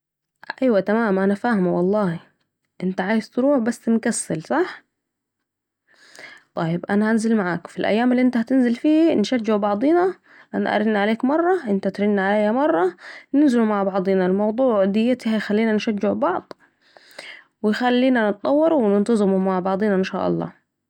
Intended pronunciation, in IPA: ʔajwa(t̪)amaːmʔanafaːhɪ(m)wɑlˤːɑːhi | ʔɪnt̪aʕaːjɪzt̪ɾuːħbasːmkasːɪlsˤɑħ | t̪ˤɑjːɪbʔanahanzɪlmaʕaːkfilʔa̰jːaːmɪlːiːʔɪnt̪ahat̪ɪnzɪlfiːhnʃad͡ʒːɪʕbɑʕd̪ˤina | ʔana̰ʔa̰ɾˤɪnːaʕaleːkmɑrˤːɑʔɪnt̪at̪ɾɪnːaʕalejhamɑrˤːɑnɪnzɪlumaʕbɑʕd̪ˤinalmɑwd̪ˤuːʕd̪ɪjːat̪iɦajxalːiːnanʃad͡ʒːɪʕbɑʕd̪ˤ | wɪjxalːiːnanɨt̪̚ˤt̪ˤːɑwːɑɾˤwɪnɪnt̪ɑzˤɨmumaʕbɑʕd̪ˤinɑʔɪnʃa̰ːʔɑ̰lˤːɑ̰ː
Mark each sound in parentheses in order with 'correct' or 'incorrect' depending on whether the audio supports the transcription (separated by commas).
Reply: correct, correct